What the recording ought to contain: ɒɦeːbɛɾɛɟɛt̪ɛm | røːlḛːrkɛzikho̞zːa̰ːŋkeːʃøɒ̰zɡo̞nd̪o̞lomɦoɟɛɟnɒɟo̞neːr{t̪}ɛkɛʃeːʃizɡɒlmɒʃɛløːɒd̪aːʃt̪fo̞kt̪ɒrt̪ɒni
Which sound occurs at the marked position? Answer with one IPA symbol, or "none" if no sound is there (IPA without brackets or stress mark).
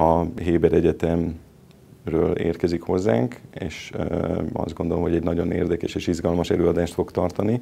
d̪